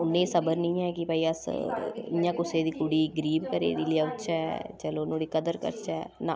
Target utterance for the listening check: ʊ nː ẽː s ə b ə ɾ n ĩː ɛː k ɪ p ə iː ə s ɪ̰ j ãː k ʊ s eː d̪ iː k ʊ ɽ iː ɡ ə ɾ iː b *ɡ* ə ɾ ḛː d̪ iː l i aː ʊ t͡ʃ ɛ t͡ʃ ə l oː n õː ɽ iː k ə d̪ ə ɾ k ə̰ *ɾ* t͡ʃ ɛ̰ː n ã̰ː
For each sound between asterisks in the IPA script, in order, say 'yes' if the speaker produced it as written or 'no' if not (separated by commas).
no, yes